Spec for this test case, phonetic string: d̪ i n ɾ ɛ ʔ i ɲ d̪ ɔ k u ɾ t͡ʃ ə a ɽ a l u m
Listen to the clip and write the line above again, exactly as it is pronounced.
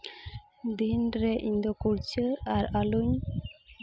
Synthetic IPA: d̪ i n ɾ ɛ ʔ i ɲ d̪ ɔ k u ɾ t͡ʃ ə a ɾ a l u ɲ

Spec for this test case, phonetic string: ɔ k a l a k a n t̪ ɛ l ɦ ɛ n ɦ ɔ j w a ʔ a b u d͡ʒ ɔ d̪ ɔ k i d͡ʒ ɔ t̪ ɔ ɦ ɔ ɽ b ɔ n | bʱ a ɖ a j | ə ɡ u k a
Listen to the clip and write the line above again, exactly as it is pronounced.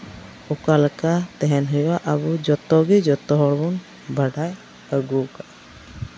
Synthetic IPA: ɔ k a l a k a t̪ ɛ ɦ ɛ n ɦ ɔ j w a ʔ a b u d͡ʒ ɔ t̪ ɔ ɡ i d͡ʒ ɔ t̪ ɔ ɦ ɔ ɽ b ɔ n | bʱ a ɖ a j | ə ɡ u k a

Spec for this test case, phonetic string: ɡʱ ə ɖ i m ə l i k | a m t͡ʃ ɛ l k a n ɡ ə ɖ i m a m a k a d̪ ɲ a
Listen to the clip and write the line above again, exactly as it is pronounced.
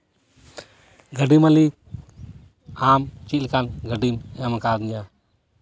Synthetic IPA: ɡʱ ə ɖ i m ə l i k | a m t͡ʃ i l k a n ɡ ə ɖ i m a m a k a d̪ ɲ a

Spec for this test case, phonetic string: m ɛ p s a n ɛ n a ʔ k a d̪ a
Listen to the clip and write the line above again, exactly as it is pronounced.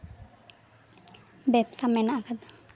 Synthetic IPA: b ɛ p s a m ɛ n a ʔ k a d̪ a

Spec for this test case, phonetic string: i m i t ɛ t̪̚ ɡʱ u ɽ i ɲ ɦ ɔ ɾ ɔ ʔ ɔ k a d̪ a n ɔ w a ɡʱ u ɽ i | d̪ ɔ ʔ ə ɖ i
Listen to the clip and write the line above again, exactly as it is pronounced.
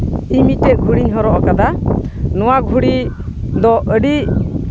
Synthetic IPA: i m i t ɛ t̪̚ ɡʱ u ɽ i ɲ ɦ ɔ ɾ ɔ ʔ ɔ k a d̪ a n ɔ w a ɡʱ u ɽ i | d̪ ɔ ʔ ə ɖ i

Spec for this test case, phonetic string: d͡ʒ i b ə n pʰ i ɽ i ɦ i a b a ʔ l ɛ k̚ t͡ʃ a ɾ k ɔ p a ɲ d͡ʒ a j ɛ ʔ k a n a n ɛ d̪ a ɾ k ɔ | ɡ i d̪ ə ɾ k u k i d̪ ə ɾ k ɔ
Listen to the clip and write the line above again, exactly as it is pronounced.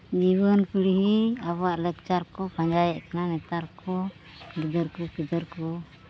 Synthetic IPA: d͡ʒ i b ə n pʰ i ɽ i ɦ i a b a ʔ l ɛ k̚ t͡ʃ a ɾ k ɔ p a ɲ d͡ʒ a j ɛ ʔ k a n a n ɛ t̪ a ɾ k ɔ | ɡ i d̪ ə ɾ k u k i d̪ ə ɾ k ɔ

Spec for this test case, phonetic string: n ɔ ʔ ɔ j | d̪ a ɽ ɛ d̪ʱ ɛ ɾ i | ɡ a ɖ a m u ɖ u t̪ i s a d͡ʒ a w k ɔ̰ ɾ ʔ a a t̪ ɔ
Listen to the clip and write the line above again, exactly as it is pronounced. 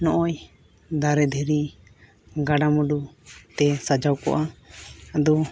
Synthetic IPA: n ɔ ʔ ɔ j | d̪ a ɾ ɛ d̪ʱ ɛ ɾ i | ɡ a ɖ a m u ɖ u t̪ ɛ s a d͡ʒ a w k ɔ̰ ʔ a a d̪ ɔ

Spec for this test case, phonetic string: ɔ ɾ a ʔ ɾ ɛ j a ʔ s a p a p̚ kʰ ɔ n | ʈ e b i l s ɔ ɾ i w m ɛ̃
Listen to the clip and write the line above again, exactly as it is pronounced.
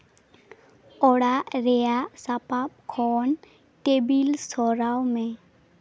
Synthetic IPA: ɔ ɽ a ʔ ɾ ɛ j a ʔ s a p a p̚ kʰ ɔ n | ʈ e b i l s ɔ ɾ a w m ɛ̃

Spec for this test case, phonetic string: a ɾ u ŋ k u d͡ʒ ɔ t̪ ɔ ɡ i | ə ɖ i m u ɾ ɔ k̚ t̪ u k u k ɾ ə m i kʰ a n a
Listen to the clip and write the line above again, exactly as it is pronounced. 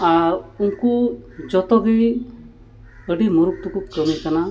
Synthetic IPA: a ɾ u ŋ k u d͡ʒ ɔ t̪ ɔ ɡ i | ə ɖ i m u ɾ u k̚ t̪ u k u k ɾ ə m i k a n a

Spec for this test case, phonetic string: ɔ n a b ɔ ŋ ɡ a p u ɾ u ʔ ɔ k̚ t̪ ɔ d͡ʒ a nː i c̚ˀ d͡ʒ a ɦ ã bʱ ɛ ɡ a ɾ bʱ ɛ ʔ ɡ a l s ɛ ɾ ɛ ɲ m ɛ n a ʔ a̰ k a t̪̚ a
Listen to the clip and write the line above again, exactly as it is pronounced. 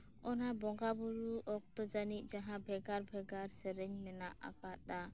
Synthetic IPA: ɔ n a b ɔ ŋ ɡ a b u ɾ u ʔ ɔ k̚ t̪ ɔ d͡ʒ a n i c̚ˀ d͡ʒ a ɦ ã bʱ ɛ ɡ a ɾ bʱ ɛ ɡ a ɾ s ɛ ɾ ɛ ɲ m ɛ n a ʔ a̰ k a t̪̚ a

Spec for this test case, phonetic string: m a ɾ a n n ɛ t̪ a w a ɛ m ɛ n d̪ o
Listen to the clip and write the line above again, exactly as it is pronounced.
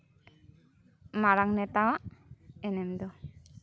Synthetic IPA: m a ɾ a ŋ n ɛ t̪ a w a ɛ n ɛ m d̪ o

